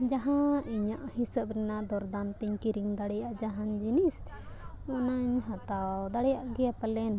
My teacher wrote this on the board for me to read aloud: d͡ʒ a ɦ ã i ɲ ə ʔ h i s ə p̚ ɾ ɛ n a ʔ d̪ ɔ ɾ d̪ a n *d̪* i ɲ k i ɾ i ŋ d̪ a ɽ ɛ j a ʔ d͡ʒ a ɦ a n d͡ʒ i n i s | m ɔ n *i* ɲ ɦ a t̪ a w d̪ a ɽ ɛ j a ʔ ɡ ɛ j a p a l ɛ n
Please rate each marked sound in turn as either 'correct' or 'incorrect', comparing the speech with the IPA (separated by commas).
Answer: incorrect, incorrect